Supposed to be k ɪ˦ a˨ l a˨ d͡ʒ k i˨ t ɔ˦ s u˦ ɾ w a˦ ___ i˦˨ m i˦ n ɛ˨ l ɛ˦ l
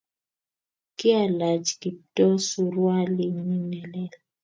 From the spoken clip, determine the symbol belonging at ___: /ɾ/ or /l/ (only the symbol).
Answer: l